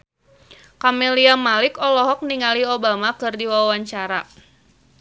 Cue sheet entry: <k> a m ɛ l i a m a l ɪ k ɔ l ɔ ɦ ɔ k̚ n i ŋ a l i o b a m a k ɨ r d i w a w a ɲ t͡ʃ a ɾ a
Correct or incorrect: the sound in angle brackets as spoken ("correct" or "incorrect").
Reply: correct